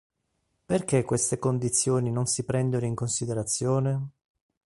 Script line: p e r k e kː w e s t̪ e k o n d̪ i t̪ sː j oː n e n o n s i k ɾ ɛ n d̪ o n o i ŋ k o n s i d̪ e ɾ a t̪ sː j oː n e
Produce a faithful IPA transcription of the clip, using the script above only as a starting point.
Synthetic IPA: p e r k e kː w e s t̪ e k o n d̪ i t̪ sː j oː n i n o n s i p ɾ ɛ n d̪ o n o i ŋ k o n s i d̪ e ɾ a t̪ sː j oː n e